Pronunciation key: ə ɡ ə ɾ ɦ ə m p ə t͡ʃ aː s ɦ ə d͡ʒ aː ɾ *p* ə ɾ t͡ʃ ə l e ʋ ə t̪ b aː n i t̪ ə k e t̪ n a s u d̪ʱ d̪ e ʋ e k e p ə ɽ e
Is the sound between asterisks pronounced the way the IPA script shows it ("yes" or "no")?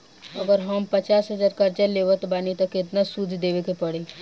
no